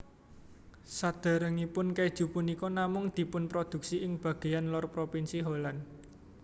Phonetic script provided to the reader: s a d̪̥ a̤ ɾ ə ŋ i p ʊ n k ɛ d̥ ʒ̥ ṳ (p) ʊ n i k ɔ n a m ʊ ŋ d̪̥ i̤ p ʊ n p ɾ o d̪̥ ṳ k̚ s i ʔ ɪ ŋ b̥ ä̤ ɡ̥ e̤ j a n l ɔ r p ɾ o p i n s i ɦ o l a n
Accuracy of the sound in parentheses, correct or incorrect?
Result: correct